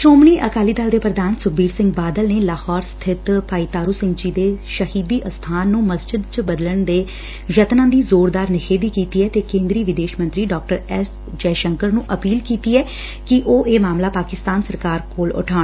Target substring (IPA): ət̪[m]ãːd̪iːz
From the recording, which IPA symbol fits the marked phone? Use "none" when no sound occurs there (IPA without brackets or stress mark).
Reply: n